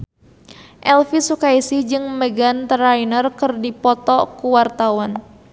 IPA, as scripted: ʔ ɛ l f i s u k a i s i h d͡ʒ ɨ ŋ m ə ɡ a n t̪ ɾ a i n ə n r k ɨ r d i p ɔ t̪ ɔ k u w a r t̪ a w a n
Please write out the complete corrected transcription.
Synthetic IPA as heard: ʔ ɛ l f i s u k a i s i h d͡ʒ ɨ ŋ m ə ɡ a n t̪ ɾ a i n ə r k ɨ r d i p ɔ t̪ ɔ k u w a r t̪ a w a n